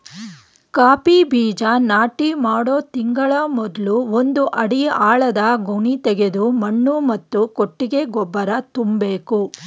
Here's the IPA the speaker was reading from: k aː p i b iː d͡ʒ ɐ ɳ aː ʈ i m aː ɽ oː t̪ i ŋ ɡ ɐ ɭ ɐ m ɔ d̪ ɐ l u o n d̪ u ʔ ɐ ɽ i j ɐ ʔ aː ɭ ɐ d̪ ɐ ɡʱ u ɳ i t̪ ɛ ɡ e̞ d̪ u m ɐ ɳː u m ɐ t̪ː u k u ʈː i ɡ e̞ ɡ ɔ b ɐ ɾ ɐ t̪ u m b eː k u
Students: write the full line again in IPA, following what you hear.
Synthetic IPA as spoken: k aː p i b iː d͡ʒ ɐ n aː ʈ i m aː ɽ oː t̪ i ŋ ɡ ɐ ɭ ɐ m ɔ d̪ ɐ l u o n d̪ u ʔ ɐ ɽ i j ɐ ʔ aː ɭ ɐ d̪ ɐ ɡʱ u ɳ i t̪ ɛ ɡ e̞ d̪ u m ɐ ɳː u m ɐ t̪ː u k o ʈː i ɡ e̞ ɡ ɔ bː ɐ ɾ ɐ t̪ u m b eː k u